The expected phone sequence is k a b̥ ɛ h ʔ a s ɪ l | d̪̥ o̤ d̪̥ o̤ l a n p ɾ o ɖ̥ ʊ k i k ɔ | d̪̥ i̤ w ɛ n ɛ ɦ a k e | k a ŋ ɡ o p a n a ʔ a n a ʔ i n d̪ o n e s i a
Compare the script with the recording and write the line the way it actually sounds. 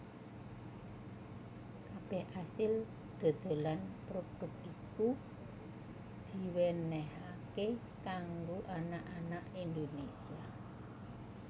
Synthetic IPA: k a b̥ ɛ h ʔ a s ɪ l | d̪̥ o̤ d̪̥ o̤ l a n p ɾ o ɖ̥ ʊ k i k u | d̪̥ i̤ w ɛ n ɛ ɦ a k e | k a ŋ ɡ o ʔ a n a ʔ a n a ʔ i n d̪ o n e s i a